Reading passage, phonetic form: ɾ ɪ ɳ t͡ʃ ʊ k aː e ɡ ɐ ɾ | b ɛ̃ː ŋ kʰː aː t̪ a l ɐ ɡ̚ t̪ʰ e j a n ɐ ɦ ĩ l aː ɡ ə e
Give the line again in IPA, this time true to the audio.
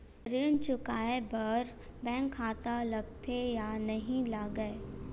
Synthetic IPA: ɾ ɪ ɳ t͡ʃ ʊ k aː e b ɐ ɾ | b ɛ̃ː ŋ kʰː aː t̪ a l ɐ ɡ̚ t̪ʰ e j a n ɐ ɦ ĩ l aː ɡ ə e

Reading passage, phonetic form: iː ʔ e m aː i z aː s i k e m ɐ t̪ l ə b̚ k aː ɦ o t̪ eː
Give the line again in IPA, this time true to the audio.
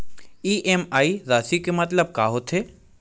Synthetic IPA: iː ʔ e m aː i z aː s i k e m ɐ t̪ l ə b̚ k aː ɦ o t̪ʰ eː

